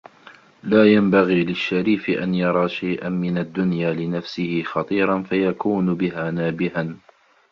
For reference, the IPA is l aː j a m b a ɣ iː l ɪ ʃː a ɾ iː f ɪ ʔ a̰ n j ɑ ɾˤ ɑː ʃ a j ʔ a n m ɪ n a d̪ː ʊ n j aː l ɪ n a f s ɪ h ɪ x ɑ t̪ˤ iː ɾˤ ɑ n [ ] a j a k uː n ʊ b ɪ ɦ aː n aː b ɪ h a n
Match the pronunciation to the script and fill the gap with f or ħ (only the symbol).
f